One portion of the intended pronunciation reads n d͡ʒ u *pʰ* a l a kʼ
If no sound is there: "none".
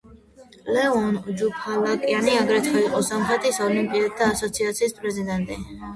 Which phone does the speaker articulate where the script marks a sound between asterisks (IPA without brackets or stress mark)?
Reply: pʰ